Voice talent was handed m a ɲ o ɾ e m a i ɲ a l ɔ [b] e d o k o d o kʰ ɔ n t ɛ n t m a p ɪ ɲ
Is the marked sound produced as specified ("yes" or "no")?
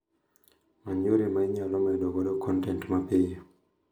no